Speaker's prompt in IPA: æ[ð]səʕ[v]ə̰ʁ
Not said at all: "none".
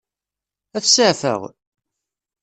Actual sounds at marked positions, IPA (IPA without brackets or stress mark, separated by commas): θ, f